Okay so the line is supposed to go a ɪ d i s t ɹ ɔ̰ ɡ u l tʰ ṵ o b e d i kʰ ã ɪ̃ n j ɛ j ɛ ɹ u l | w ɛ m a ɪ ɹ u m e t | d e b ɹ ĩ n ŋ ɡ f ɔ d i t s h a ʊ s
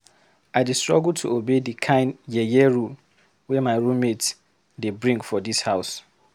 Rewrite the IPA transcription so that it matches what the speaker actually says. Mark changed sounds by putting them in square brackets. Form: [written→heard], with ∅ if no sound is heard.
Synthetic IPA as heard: a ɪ d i s t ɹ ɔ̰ ɡ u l tʰ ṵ o b e d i kʰ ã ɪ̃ n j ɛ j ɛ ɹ u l | w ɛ m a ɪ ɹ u m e t | d e b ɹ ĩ [n→∅] ŋ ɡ f ɔ d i [t→∅] s h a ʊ s